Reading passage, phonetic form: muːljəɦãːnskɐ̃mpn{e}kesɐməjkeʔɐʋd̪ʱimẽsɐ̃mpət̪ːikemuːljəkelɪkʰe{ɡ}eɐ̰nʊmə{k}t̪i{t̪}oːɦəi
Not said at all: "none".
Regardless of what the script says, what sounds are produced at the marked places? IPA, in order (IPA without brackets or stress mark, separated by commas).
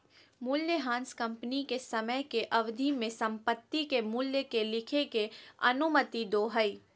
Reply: i, k, none, d̪